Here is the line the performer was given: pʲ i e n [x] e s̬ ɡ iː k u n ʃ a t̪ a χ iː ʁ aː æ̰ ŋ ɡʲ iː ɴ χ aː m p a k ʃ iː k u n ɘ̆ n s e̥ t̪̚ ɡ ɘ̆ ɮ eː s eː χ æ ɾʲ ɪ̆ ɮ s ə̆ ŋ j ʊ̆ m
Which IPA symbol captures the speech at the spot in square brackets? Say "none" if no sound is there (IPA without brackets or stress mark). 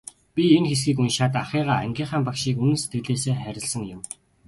x